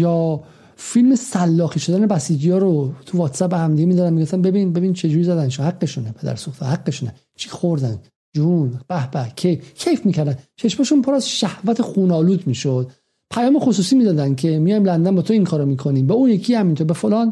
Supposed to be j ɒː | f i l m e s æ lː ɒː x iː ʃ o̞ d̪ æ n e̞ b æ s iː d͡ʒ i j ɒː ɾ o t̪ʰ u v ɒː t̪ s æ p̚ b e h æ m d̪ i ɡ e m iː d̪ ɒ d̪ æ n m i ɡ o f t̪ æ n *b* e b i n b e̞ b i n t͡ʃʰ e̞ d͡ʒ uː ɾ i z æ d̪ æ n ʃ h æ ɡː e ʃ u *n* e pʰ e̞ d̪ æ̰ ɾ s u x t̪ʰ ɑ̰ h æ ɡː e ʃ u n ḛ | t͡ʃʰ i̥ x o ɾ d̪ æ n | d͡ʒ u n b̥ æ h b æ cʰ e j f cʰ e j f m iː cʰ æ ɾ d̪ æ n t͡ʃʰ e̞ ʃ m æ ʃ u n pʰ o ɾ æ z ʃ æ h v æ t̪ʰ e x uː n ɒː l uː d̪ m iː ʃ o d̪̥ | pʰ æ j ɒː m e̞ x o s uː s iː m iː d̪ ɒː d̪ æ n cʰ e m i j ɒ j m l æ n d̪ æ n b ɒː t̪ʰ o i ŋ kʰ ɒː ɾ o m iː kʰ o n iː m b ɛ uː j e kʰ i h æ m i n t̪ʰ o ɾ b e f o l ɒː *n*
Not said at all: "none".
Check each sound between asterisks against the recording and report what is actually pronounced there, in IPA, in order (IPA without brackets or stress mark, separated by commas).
b, n, n